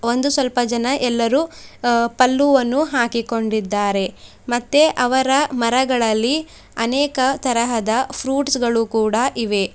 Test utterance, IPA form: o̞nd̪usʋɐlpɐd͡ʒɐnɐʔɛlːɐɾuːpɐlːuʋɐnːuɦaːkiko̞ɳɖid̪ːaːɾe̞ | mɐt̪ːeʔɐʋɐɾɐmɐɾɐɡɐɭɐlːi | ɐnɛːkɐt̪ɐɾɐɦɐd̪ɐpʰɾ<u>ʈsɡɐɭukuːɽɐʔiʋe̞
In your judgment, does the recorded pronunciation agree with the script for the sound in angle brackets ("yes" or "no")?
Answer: no